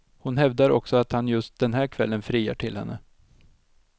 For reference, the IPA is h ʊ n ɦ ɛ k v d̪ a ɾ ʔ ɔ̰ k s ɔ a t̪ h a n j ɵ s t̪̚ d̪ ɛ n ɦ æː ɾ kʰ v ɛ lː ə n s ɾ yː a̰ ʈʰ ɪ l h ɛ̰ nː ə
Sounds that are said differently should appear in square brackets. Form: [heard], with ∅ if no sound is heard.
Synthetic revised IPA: h ʊ n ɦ ɛ [∅] v d̪ a ɾ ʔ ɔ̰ k s ɔ a t̪ h a n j ɵ s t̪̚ d̪ ɛ n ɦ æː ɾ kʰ v ɛ lː ə n [f] ɾ [iː] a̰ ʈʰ ɪ l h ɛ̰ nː ə